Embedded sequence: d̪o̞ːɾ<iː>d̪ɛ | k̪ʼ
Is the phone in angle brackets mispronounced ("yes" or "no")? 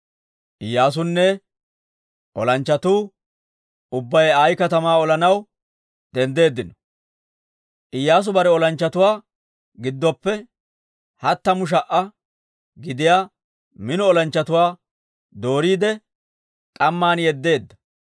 no